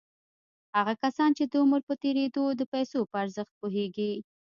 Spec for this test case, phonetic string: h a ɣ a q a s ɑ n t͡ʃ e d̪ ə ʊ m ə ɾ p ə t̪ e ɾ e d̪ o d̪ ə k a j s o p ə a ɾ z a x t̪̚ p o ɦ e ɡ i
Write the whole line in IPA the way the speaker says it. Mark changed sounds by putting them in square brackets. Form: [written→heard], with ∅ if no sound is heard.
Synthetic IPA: h a ɣ a [q→k] a s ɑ n t͡ʃ e d̪ ə ʊ m ə ɾ p ə t̪ e ɾ e d̪ o d̪ ə [k→p] a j s o p ə a ɾ z [a→ə] x t̪̚ p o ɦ e ɡ i